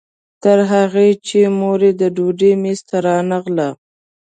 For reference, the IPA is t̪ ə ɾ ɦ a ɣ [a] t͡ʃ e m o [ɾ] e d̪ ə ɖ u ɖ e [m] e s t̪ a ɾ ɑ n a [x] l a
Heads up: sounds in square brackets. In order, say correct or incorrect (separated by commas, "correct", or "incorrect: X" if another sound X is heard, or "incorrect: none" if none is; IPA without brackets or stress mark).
incorrect: e, correct, correct, incorrect: ɣ